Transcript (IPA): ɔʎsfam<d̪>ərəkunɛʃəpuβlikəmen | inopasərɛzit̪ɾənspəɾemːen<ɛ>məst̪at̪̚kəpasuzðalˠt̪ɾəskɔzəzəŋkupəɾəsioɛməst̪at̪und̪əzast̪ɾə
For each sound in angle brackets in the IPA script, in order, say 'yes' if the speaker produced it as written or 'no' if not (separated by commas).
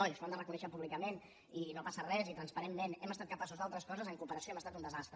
yes, yes